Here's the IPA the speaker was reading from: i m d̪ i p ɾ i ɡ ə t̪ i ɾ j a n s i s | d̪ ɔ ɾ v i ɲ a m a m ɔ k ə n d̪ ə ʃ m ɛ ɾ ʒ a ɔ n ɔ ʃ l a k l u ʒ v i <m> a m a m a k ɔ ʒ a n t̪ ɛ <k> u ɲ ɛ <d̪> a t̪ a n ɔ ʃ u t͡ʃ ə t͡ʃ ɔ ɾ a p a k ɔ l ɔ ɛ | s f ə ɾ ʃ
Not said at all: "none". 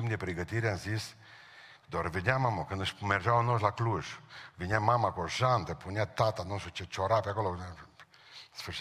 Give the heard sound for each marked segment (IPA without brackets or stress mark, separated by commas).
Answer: ɲ, p, t̪